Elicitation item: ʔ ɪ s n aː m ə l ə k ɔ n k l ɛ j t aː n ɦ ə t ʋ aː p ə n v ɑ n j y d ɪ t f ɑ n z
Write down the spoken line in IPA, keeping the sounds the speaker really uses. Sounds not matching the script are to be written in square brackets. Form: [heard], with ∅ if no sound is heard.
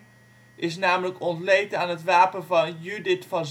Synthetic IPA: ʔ ɪ s n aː m ə l ə k ɔ n [t] l [e] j t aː n ɦ ə t ʋ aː p ə n v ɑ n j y d ɪ t f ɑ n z